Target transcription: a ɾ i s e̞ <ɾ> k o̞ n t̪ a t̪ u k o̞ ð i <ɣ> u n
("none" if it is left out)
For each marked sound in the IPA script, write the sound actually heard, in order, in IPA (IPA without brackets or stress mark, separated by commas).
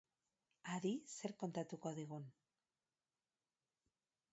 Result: ɾ, ɣ